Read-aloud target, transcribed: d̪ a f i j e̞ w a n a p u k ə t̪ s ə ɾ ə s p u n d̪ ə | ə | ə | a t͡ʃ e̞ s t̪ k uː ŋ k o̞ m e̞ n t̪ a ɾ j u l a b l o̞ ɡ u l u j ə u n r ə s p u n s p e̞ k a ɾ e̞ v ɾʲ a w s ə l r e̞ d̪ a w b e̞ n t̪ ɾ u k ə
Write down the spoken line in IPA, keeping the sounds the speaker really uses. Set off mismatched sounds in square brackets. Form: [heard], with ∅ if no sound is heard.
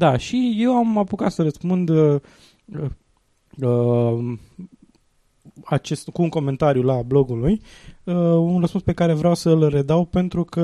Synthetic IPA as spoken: d̪ a [ʃ] i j e̞ w a [m] a p u k [a] t̪ s ə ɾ ə s p u n d̪ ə | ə | ə | a t͡ʃ e̞ s t̪ k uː ŋ k o̞ m e̞ n t̪ a ɾ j u l a b l o̞ ɡ u l u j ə u n r ə s p u n s p e̞ k a ɾ e̞ v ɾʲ a w s ə l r e̞ d̪ a w [p] e̞ n t̪ ɾ u k ə